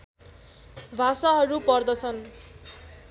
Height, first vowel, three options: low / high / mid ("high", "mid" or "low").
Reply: low